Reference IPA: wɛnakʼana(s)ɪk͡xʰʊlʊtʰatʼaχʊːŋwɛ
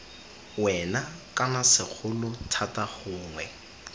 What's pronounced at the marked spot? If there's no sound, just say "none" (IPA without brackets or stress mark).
s